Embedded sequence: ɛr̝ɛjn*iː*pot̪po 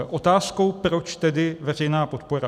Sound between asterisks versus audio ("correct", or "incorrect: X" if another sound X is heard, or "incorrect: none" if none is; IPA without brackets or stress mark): incorrect: aː